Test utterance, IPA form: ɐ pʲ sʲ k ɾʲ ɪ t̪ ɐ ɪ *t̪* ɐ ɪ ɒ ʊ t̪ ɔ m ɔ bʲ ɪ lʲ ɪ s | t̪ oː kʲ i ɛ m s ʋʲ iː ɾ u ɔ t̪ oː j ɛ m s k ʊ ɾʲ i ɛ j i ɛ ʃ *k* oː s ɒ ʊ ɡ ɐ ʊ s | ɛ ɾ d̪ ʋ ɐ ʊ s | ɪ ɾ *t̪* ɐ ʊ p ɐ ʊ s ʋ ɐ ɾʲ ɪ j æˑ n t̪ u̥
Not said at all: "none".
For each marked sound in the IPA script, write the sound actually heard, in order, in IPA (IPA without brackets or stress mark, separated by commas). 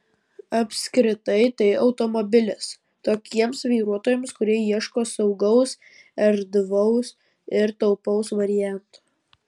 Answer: t̪, k, t̪